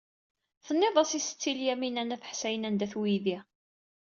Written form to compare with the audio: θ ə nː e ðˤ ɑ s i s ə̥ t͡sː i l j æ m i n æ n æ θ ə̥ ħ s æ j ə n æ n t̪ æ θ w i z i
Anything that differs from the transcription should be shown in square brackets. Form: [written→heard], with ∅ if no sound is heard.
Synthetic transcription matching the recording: θ ə nː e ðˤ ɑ s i s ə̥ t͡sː i l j æ m i n æ n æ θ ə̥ ħ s æ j ə n æ n [t̪→d̪] æ θ w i [z→ð] i